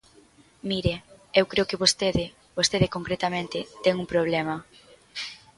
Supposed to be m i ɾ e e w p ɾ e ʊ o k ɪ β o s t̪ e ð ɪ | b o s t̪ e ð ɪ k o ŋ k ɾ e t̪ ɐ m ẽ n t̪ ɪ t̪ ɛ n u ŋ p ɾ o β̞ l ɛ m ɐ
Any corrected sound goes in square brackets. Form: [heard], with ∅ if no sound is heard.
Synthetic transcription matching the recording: m i ɾ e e w [k] ɾ e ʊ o k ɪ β o s t̪ e ð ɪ | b o s t̪ e ð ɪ k o ŋ k ɾ e t̪ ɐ m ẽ n t̪ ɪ t̪ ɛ [ŋ] u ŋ p ɾ o β̞ l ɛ m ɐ